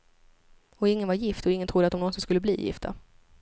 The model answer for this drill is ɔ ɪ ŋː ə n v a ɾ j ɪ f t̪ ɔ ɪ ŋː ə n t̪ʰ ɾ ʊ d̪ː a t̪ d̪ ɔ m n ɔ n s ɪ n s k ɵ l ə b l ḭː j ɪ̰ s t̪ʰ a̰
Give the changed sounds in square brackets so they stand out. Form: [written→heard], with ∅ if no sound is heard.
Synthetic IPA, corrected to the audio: ɔ ɪ ŋː ə n v a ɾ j ɪ f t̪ ɔ ɪ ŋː ə n t̪ʰ ɾ ʊ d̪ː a t̪ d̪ ɔ m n ɔ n s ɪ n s k ɵ [l→lː] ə b l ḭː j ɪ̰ [s→f] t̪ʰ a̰